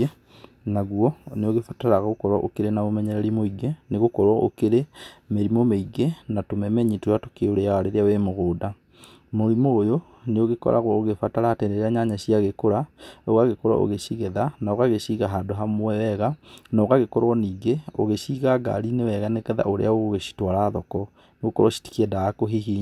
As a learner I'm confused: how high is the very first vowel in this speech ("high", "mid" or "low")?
low